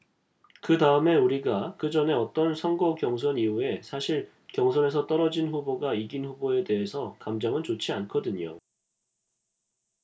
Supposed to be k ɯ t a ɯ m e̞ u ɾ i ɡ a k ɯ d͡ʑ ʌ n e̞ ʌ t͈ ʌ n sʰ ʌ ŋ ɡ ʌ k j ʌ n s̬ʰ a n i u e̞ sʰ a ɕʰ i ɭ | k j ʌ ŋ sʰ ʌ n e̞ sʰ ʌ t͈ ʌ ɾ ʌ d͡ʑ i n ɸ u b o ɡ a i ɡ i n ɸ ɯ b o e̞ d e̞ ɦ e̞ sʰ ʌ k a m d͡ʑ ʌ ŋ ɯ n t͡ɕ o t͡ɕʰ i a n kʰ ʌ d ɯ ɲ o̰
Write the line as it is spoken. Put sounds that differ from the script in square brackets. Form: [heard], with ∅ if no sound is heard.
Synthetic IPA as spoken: k ɯ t a ɯ m e̞ u ɾ i ɡ a k ɯ d͡ʑ ʌ n e̞ ʌ t͈ ʌ n sʰ ʌ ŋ ɡ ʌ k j ʌ [ŋ] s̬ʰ [ʌ] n i u e̞ sʰ a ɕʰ i ɭ | k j ʌ ŋ sʰ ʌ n e̞ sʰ ʌ t͈ ʌ ɾ ʌ d͡ʑ i n ɸ u b o ɡ a i ɡ i n ɸ [u] b o e̞ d e̞ ɦ e̞ sʰ ʌ k a m d͡ʑ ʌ ŋ ɯ n t͡ɕ o t͡ɕʰ i a n kʰ ʌ d ɯ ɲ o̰